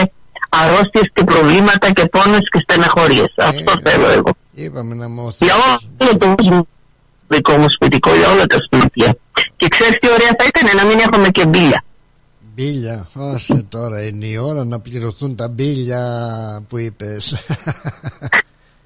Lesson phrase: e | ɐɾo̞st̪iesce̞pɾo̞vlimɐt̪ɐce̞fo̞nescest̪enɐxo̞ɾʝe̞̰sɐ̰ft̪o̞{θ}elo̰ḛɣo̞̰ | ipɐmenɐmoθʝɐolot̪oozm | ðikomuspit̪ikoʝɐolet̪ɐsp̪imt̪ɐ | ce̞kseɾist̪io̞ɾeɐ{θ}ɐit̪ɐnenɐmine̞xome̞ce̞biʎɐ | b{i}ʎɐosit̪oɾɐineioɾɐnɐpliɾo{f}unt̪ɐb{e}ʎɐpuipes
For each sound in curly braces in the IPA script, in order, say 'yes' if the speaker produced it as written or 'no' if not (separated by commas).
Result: yes, yes, yes, no, no